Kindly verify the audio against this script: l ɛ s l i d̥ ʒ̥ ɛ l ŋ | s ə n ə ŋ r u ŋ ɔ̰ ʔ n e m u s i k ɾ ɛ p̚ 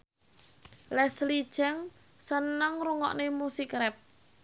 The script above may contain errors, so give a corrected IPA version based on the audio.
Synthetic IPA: l ɛ s l i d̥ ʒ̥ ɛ ŋ | s ə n ə ŋ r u ŋ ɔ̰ ʔ n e m u s i k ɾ ɛ p̚